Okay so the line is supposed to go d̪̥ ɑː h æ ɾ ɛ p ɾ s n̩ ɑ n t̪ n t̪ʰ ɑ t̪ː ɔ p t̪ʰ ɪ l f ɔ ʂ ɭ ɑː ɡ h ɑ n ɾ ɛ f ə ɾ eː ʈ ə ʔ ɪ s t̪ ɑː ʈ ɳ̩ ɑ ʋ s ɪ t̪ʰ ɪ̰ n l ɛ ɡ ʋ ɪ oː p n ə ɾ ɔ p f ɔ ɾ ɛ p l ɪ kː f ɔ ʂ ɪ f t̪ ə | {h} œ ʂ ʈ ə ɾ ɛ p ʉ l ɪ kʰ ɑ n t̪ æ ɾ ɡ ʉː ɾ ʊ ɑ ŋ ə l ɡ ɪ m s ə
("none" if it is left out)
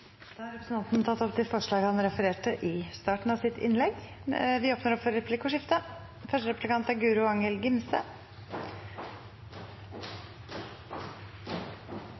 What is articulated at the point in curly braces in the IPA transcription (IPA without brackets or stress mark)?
f